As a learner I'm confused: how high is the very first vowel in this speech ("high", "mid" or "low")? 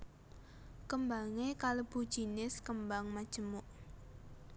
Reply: mid